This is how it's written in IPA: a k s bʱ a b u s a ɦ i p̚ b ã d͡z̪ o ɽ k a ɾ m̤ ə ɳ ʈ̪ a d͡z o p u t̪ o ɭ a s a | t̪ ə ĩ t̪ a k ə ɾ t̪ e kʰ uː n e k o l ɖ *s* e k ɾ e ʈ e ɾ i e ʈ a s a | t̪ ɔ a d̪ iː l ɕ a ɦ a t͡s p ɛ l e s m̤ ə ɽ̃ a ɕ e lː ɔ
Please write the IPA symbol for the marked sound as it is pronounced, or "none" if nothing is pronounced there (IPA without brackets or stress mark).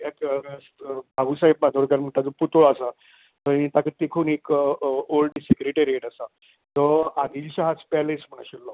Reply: s